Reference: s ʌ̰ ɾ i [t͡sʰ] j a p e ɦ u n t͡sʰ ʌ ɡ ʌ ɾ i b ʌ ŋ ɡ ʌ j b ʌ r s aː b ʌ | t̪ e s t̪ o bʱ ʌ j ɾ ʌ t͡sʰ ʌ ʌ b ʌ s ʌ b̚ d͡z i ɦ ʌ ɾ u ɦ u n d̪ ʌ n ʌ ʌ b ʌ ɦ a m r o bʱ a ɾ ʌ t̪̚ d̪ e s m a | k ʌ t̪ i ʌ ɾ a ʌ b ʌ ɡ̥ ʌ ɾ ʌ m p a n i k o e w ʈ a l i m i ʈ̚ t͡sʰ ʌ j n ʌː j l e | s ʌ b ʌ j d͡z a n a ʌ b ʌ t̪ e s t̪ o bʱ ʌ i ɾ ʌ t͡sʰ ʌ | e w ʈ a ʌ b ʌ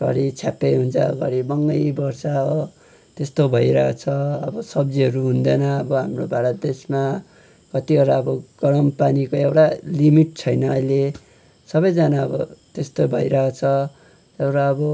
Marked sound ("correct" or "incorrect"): correct